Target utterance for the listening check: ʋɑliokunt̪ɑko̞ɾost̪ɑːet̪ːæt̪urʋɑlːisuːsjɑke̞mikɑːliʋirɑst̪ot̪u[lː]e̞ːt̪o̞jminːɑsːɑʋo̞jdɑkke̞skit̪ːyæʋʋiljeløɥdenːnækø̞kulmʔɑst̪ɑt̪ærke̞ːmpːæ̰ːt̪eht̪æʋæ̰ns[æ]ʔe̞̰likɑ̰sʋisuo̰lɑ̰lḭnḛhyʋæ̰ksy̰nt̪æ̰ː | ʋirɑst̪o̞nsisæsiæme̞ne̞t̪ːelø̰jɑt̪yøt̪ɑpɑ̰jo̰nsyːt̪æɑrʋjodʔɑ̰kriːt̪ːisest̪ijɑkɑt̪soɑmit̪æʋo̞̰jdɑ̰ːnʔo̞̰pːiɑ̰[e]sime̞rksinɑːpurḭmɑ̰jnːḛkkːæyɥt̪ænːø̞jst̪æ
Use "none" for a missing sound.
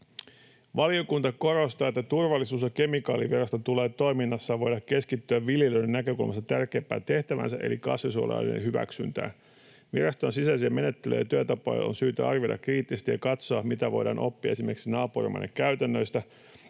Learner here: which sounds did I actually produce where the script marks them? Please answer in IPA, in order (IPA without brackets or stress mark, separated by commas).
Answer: l, æ, e